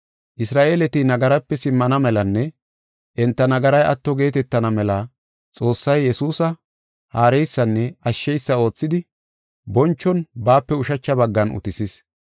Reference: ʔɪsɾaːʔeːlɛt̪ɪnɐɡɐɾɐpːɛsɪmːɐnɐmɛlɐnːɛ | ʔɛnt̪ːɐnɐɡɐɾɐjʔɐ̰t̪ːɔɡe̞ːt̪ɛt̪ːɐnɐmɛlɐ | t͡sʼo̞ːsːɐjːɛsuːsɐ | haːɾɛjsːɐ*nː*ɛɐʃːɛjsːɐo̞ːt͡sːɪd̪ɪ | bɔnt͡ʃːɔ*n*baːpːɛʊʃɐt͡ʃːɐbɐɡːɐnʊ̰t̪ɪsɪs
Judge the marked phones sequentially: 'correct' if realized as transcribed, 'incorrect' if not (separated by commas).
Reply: correct, correct